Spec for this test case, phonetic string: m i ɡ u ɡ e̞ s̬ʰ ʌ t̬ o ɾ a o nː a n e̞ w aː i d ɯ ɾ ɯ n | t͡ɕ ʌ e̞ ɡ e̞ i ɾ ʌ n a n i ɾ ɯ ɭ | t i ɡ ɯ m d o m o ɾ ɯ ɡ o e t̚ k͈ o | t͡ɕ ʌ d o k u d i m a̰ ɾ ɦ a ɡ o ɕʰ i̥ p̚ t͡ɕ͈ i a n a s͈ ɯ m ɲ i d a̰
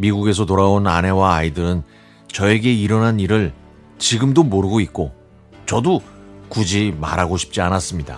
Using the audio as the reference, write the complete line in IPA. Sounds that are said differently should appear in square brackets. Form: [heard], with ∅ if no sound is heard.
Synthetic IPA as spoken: m i ɡ u ɡ e̞ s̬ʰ ʌ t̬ o ɾ a o [n] a n e̞ w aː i d ɯ ɾ ɯ n | t͡ɕ ʌ e̞ ɡ e̞ i ɾ ʌ n a n i ɾ ɯ ɭ | [t͡ɕ] i ɡ ɯ m d o m o ɾ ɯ ɡ o [i] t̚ k͈ o | t͡ɕ ʌ d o k u [d͡ʑ] i m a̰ ɾ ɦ a ɡ o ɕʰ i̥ p̚ t͡ɕ͈ i a n a s͈ ɯ m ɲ i d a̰